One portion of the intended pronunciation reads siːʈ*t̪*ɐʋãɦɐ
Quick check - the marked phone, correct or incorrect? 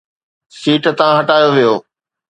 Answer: correct